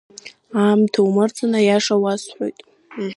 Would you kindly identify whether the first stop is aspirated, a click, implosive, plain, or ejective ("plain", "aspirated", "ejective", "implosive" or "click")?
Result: aspirated